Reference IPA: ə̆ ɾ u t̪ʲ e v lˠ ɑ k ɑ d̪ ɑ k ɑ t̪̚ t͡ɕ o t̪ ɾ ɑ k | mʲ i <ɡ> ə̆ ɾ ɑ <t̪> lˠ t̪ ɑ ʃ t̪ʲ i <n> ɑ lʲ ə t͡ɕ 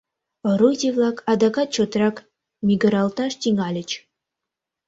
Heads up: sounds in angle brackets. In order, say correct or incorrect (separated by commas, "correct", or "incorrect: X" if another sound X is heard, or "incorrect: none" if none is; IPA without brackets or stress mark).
correct, incorrect: none, incorrect: ŋ